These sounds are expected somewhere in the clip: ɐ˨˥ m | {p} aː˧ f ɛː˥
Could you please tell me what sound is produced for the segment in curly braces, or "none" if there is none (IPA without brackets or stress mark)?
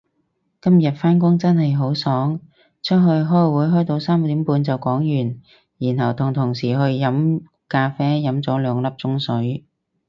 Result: k